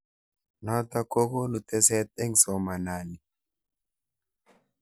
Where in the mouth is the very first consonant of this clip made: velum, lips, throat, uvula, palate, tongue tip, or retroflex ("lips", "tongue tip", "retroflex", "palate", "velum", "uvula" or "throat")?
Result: tongue tip